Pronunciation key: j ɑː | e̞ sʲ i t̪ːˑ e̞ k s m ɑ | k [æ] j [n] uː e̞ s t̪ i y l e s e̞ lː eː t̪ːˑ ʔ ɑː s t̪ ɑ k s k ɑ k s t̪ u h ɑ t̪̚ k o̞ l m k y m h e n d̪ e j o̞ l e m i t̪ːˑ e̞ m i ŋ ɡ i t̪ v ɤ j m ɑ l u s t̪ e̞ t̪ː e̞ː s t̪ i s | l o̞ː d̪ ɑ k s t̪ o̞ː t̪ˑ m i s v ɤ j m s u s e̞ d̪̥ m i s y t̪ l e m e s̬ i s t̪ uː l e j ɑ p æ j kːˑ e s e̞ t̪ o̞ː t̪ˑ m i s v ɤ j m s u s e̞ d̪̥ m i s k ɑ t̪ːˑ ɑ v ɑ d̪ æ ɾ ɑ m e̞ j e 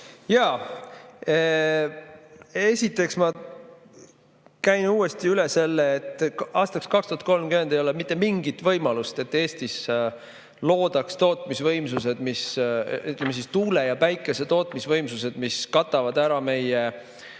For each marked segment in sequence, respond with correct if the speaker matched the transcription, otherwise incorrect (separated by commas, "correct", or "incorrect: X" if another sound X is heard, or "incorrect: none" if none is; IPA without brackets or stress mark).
correct, correct